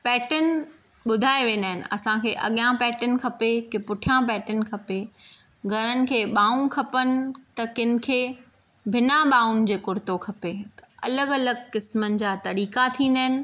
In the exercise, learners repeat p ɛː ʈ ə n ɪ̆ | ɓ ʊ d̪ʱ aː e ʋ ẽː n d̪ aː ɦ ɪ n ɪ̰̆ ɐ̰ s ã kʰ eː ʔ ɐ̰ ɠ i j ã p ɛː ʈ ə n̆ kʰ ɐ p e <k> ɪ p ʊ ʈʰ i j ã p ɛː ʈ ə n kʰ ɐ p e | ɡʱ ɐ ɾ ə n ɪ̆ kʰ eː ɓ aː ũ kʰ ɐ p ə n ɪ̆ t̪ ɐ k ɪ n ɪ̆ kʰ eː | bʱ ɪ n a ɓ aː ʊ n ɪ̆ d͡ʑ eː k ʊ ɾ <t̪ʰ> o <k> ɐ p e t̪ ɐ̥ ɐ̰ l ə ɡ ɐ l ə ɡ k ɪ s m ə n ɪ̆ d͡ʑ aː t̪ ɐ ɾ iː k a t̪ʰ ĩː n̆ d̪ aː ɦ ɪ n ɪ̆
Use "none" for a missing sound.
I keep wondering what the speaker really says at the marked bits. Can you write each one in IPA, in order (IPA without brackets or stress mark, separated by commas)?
k, t̪, kʰ